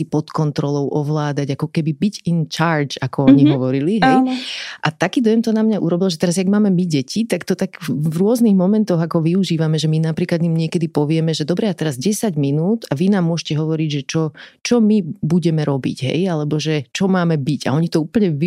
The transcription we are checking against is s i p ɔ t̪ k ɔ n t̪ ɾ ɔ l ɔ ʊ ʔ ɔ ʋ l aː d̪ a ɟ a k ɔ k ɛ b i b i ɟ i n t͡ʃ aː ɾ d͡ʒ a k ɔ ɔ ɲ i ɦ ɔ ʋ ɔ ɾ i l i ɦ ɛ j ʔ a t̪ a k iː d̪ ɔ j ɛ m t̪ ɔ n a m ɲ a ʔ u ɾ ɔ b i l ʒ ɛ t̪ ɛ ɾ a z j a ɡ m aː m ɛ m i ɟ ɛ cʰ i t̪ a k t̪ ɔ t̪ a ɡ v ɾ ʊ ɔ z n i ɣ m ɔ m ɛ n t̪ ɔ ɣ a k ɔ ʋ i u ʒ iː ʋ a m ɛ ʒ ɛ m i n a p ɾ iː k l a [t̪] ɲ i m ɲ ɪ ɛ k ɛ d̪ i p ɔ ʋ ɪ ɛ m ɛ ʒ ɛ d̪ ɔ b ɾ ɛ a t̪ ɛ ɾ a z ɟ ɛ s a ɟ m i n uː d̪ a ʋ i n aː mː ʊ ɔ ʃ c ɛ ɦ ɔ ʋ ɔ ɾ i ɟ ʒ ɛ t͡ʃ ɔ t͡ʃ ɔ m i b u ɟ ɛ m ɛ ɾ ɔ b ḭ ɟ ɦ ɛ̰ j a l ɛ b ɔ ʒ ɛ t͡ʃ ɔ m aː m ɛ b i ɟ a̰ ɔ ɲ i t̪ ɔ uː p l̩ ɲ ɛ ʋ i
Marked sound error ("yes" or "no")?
yes